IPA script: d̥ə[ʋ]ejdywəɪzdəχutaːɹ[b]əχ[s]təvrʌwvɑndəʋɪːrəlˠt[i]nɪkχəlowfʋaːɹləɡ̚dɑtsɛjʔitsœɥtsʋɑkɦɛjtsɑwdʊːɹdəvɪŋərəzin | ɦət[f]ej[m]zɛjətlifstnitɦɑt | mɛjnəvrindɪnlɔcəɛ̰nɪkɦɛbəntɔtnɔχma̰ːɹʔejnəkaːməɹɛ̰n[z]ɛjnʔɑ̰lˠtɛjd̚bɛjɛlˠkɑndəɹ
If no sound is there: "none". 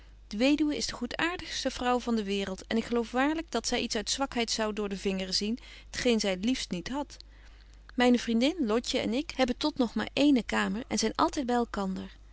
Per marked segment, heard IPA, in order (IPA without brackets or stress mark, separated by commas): ʋ, d, s, ɛ, χ, n, z